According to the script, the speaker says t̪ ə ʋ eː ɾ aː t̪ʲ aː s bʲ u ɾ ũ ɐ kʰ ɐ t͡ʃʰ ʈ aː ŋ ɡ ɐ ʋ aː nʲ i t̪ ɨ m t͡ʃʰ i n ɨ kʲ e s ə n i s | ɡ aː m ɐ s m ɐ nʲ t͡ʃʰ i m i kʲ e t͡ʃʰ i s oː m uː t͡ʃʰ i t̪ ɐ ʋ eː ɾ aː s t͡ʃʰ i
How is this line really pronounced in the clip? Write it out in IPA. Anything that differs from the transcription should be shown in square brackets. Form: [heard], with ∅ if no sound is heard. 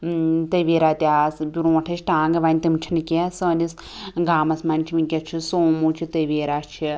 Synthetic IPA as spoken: t̪ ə ʋ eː ɾ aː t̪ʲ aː s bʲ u ɾ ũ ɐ [ʈʰ] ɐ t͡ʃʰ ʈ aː ŋ ɡ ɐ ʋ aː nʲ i t̪ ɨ m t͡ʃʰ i n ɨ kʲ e s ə n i s | ɡ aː m ɐ s m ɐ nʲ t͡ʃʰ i m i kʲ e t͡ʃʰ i s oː m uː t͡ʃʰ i t̪ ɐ ʋ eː ɾ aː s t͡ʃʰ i